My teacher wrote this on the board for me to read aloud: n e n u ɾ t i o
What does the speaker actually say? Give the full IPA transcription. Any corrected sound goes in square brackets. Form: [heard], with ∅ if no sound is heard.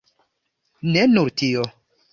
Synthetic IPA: n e n u ɾ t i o

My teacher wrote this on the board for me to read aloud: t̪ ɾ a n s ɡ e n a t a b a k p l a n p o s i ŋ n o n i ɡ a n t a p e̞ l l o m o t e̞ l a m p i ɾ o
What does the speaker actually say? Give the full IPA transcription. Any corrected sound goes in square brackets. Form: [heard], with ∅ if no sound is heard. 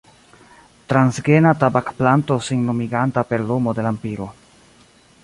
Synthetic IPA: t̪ ɾ a n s ɡ e n a t a b a k p l a n [t] o s i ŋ n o [m] i ɡ a n t a p e̞ [ɾ] l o m o [d] e̞ l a m p i ɾ o

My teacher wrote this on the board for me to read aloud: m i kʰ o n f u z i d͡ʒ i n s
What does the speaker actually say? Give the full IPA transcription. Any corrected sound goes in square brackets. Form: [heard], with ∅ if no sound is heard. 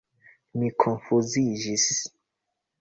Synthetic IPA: m i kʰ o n f u z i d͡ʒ i [∅] s

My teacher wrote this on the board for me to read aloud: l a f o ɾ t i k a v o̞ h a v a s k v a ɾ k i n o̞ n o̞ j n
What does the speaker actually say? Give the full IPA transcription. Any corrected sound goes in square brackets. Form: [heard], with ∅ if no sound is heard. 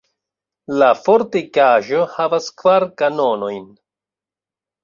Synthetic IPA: l a f o ɾ t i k a [ʒ] o̞ h a v a s k v a ɾ k [a] n o̞ n o̞ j n

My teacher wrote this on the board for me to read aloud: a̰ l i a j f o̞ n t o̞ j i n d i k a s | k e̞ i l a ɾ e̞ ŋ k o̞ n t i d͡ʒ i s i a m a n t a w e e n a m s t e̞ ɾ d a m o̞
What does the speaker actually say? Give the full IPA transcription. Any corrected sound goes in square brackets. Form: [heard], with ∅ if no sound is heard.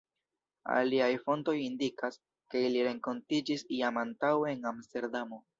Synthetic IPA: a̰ l i a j f o̞ n t o̞ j i n d i k a s | k e̞ i l [i] ɾ e̞ ŋ k o̞ n t i d͡ʒ i s i a m a n t a w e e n a m s t e̞ ɾ d a m o̞

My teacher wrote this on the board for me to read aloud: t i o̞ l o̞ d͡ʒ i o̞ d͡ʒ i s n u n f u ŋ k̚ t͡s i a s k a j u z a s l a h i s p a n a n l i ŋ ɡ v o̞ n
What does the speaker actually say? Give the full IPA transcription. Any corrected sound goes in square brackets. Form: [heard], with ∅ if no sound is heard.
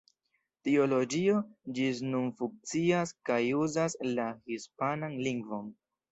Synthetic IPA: t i o̞ l o̞ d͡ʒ i o̞ d͡ʒ i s n u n f u ŋ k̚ t͡s i a s k a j u z a s l a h i s p a n a n l i ŋ ɡ v o̞ n

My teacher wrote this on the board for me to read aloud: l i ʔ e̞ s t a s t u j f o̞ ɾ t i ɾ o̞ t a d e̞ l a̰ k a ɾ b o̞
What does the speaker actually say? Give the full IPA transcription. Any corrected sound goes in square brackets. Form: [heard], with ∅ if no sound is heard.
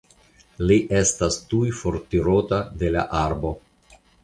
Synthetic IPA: l i ʔ e̞ s t a s t u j f o̞ ɾ t i ɾ o̞ t a d e̞ l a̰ [ʔ] a ɾ b o̞

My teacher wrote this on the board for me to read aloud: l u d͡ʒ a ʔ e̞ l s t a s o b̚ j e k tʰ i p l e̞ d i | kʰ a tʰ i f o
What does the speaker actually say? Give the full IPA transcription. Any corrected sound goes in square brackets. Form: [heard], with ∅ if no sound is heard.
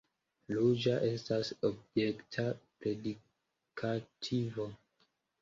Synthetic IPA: l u d͡ʒ a ʔ e̞ [∅] s t a s o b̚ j e k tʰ [a] p [ɾ] e̞ d i | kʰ a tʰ i [v] o

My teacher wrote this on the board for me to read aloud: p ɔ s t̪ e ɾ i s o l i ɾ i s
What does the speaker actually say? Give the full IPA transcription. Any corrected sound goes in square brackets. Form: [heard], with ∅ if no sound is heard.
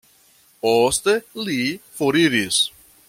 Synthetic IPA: p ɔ s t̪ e [l] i [f] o [ɾ] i ɾ i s

